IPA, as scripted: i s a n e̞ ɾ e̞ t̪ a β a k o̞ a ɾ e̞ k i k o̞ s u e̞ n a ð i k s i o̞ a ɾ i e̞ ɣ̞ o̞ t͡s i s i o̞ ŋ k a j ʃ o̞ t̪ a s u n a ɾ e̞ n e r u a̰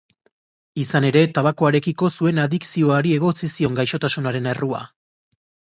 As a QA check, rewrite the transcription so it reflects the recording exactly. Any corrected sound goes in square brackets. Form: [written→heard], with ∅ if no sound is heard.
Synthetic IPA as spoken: i s a n e̞ ɾ e̞ t̪ a β a k o̞ a ɾ e̞ k i k o̞ s u e̞ n a ð i k s i o̞ a ɾ i e̞ ɣ̞ o̞ t͡s i s i o̞ ŋ [k→ɡ] a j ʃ o̞ t̪ a s u n a ɾ e̞ n e r u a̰